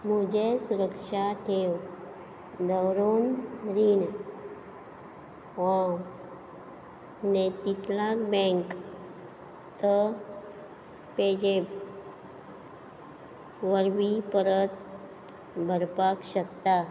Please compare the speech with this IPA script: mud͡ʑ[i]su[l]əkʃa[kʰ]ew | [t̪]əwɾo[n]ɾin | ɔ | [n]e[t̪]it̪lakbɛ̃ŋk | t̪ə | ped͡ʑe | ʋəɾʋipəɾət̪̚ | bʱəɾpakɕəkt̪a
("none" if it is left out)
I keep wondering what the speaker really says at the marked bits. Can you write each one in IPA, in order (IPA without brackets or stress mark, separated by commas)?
e, ɾ, ʈʰ, d̪, n, n, t̪